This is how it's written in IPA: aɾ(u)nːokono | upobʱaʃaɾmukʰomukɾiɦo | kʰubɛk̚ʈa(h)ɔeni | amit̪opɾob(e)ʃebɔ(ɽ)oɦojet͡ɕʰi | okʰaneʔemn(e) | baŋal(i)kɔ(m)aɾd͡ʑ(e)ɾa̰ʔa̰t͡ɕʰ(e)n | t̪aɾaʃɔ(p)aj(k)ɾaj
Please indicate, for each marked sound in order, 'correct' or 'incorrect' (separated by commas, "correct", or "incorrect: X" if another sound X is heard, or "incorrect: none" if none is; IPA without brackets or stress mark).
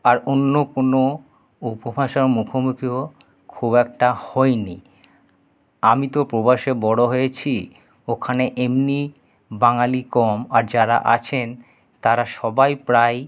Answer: incorrect: o, correct, incorrect: a, correct, incorrect: i, correct, correct, incorrect: a, correct, incorrect: b, incorrect: p